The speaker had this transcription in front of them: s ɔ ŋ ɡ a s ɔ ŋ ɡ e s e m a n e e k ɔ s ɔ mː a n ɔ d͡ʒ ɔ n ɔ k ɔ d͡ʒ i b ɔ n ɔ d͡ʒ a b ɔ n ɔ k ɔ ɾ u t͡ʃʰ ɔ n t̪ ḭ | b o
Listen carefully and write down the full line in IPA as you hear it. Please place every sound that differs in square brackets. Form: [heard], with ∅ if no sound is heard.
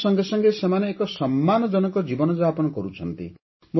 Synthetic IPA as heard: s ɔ ŋ ɡ [e] s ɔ ŋ ɡ e s e m a n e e k ɔ s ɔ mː a n ɔ d͡ʒ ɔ n ɔ k ɔ d͡ʒ i b ɔ n ɔ d͡ʒ a [p] ɔ n ɔ k ɔ ɾ u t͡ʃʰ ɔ n t̪ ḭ | [m] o